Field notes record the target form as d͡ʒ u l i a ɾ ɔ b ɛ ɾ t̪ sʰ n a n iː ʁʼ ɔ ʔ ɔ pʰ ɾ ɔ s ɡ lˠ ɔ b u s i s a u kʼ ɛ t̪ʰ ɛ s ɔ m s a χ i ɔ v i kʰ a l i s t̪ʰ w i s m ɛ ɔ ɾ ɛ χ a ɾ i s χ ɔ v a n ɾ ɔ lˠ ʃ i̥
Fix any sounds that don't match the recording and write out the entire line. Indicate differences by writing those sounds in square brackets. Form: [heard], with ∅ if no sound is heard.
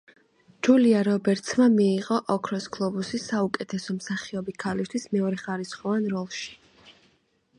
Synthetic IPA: d͡ʒ u l i a ɾ ɔ b ɛ ɾ t̪ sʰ [m] a [m] iː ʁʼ ɔ ʔ ɔ [kʰ] ɾ ɔ s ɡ lˠ ɔ b u s i s a u kʼ ɛ t̪ʰ ɛ s ɔ m s a χ i ɔ [b] i kʰ a l i s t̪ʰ w i s m ɛ ɔ ɾ ɛ χ a ɾ i s χ ɔ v a n ɾ ɔ lˠ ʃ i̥